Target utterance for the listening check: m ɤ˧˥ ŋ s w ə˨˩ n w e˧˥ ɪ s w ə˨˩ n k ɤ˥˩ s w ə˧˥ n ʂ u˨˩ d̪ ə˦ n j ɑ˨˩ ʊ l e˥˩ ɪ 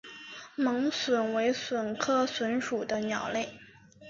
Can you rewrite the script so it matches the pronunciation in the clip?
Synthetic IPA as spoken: m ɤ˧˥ ŋ s w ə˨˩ n w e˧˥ ɪ s w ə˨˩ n kʰ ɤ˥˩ s w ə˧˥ n ʂ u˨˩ d̪ ə˦ n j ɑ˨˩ ʊ l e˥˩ ɪ